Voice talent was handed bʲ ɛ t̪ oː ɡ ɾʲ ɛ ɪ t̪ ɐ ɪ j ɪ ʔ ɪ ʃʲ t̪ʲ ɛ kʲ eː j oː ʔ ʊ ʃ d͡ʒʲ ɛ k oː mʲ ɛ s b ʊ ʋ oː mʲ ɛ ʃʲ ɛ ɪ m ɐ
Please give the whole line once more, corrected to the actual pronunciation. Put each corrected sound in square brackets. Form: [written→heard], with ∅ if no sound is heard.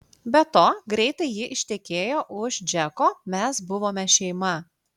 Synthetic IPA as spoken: bʲ ɛ t̪ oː ɡ ɾʲ ɛ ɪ t̪ ɐ ɪ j ɪ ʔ ɪ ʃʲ t̪ʲ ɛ kʲ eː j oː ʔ ʊ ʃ d͡ʒʲ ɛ k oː mʲ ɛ s b ʊ ʋ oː mʲ ɛ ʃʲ ɛ ɪ m ɐ